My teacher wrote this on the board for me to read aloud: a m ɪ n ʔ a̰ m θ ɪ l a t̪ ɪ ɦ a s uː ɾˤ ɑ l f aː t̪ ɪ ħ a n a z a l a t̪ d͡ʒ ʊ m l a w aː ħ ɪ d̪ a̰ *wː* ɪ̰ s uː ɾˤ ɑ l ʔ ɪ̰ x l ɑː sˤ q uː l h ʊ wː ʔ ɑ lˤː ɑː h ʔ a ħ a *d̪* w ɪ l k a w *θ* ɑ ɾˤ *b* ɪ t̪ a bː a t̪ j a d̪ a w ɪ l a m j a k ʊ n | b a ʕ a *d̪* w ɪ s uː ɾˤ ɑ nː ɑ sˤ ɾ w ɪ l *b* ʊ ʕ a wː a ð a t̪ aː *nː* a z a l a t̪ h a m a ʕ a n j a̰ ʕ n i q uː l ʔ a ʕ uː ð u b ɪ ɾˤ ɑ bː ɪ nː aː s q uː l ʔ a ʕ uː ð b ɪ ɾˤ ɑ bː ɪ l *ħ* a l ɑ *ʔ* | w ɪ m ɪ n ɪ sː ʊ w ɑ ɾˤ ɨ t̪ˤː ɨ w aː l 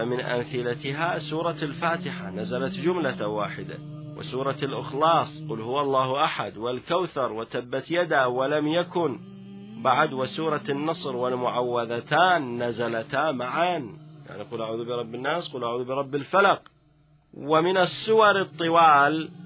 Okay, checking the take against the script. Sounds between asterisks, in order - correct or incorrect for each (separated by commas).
incorrect, correct, correct, incorrect, correct, incorrect, correct, incorrect, incorrect